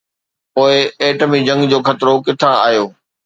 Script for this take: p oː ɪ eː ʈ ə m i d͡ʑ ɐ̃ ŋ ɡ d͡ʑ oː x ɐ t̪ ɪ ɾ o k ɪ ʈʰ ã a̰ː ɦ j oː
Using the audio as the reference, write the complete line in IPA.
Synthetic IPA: p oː ɪ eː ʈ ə m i d͡ʑ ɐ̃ ŋ ɡ d͡ʑ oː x ɐ t̪ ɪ ɾ o k ɪ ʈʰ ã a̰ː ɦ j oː